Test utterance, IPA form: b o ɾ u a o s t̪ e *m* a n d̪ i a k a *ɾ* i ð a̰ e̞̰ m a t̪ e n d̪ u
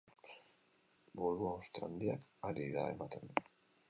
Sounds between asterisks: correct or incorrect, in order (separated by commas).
incorrect, correct